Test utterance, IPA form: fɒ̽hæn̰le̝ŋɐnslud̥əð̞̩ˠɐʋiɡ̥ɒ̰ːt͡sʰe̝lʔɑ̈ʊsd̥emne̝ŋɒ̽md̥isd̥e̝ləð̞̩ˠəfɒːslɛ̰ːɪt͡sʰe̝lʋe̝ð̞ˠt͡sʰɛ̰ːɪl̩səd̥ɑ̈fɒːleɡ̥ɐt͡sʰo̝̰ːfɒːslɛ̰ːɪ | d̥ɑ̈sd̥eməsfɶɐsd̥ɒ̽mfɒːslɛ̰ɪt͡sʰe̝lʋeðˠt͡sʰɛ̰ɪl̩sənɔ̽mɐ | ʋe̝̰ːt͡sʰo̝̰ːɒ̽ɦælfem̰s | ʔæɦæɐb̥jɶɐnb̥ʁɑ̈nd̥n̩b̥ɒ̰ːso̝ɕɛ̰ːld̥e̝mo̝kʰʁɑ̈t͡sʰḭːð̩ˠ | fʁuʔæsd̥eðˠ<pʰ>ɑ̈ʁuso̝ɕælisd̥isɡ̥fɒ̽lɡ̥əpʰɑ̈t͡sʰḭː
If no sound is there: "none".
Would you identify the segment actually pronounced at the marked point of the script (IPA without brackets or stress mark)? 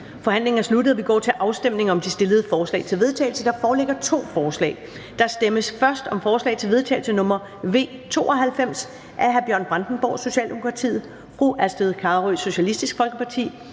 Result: kʰ